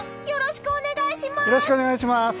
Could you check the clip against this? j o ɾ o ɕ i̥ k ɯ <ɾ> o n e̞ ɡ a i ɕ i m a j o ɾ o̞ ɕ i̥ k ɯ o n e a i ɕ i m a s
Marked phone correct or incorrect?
incorrect